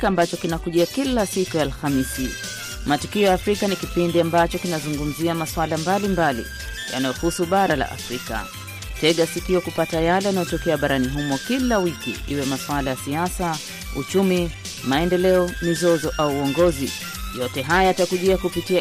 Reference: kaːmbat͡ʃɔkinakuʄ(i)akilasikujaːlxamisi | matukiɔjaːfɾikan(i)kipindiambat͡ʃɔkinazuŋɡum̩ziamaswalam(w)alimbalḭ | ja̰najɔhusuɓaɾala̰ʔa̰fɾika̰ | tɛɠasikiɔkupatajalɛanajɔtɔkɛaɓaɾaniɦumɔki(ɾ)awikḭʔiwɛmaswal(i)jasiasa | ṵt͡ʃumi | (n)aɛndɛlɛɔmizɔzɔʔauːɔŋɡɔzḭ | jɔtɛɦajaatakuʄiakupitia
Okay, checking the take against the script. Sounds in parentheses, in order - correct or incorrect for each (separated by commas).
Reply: correct, correct, incorrect, incorrect, incorrect, incorrect